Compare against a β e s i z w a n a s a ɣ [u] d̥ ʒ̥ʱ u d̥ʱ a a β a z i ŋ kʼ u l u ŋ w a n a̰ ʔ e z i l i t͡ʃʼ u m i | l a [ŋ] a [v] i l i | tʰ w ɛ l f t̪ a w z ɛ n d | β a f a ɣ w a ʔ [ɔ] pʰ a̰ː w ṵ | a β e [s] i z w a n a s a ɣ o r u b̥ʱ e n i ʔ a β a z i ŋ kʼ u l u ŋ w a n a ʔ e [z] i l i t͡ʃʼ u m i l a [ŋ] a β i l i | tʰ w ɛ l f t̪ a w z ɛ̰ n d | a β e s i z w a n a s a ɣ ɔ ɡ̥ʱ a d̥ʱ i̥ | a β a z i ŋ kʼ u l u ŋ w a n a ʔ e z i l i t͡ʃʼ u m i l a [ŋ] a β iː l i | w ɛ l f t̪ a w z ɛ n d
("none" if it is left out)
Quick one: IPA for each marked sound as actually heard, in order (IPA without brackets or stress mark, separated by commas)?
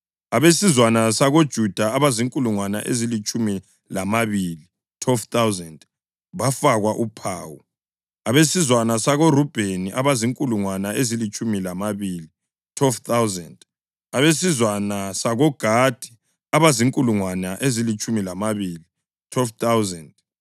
o, m, β, u, s, z, m, m